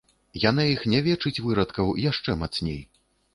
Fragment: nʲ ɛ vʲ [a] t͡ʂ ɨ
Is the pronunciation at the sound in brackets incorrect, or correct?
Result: incorrect